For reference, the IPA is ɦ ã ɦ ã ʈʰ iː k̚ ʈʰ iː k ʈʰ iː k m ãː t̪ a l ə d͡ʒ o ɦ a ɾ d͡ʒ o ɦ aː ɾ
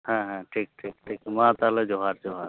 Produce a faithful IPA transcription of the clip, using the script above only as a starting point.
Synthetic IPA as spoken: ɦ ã ɦ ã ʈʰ iː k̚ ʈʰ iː k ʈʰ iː k m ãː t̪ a l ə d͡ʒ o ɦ a ɾ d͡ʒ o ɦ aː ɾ